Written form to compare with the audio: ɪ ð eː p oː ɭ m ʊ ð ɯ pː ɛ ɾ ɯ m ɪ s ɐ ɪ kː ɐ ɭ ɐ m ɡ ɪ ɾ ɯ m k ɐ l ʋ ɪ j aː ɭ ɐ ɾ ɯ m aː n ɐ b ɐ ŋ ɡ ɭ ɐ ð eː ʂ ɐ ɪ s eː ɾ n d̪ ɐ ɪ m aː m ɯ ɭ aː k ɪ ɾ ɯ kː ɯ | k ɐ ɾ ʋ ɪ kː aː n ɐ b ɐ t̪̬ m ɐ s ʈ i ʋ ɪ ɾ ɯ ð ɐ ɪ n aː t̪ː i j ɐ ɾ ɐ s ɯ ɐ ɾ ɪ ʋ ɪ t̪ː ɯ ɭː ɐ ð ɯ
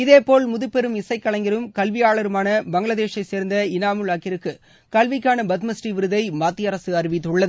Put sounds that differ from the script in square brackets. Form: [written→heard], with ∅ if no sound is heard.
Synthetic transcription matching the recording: ɪ ð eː p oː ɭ m ʊ ð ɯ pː ɛ ɾ ɯ m ɪ s ɐ ɪ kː ɐ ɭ ɐ [m→ŋ] ɡ ɪ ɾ ɯ m k ɐ l ʋ ɪ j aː ɭ ɐ ɾ ɯ m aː n ɐ b ɐ ŋ ɡ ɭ ɐ ð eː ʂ ɐ ɪ s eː ɾ n d̪ ɐ ɪ [m→n] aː m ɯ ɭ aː k ɪ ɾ ɯ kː ɯ | k ɐ [ɾ→l] ʋ ɪ kː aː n ɐ b ɐ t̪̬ m ɐ s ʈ i ʋ ɪ ɾ ɯ ð ɐ ɪ [n→m] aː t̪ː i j ɐ ɾ ɐ s ɯ ɐ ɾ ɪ ʋ ɪ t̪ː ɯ ɭː ɐ ð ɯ